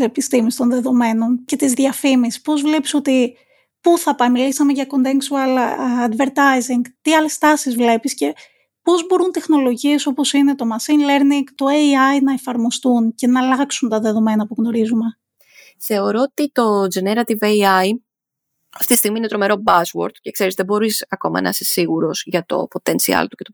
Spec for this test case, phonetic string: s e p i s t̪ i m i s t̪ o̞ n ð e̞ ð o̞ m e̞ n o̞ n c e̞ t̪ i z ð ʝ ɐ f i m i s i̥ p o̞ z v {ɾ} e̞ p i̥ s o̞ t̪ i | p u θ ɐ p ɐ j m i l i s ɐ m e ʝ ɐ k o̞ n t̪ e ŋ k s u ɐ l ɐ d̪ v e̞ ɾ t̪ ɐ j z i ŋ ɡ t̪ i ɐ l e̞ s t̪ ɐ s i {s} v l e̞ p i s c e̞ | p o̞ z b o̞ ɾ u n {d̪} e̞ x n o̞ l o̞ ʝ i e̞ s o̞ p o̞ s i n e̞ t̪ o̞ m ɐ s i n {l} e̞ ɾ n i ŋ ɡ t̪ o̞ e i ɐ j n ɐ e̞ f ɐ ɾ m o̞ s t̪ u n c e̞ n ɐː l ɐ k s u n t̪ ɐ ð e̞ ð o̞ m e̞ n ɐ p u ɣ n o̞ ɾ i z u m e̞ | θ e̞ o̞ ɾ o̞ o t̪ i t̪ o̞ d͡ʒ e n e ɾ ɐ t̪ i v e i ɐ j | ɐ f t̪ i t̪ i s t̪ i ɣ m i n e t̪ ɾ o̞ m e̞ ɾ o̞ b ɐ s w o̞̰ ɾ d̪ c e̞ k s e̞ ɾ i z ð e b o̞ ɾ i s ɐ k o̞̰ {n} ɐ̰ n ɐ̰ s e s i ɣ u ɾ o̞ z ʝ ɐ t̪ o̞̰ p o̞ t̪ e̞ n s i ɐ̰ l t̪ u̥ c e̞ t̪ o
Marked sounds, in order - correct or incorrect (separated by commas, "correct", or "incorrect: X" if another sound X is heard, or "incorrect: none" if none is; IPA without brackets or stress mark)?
incorrect: l, incorrect: z, incorrect: t̪, correct, incorrect: m